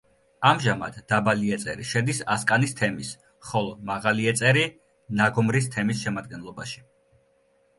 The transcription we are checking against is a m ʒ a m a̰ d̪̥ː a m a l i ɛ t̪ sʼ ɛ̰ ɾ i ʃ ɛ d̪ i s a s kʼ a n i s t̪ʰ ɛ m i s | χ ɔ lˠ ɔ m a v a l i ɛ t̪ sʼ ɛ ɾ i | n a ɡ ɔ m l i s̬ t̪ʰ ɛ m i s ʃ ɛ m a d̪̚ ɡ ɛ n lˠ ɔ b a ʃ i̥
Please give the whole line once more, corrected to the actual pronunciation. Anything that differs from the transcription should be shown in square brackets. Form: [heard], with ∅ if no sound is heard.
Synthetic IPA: a m ʒ a m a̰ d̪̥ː a [b] a l i ɛ t̪ sʼ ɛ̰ ɾ i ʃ ɛ d̪ i s a s kʼ a n i s t̪ʰ ɛ m i s | χ ɔ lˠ ɔ m a [ʁ] a l i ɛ t̪ sʼ ɛ ɾ i | n a ɡ ɔ m [ɾ] i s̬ t̪ʰ ɛ m i s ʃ ɛ m a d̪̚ ɡ ɛ n lˠ ɔ b a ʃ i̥